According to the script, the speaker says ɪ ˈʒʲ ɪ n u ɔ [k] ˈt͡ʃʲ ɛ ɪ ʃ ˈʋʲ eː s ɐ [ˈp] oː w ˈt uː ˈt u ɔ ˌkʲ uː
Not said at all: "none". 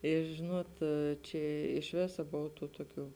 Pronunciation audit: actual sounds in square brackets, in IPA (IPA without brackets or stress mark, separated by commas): t, b